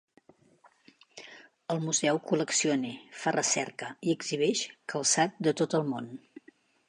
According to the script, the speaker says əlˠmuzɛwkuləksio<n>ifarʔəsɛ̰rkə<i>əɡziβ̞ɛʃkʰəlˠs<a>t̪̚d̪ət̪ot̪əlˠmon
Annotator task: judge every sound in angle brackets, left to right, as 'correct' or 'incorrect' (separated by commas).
correct, correct, correct